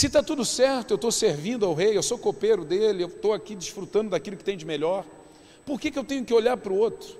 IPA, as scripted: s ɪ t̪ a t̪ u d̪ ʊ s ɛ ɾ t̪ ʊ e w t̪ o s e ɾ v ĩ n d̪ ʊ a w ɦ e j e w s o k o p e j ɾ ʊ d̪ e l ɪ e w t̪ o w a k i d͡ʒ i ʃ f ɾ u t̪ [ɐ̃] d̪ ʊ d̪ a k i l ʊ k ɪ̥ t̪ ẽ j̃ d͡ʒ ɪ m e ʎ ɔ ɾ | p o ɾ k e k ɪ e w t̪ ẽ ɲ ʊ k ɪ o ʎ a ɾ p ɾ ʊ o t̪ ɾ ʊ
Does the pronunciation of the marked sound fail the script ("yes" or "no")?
no